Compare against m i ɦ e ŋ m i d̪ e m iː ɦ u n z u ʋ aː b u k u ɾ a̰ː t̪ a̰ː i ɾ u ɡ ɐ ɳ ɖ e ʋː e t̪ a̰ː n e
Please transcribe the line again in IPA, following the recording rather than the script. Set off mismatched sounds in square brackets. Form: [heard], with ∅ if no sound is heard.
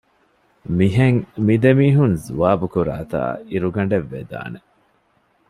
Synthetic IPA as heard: m i ɦ e ŋ m i d̪ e m iː ɦ u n z u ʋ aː b u k u ɾ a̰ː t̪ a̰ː i ɾ u ɡ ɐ ɳ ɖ e ʋː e [d̪] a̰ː n e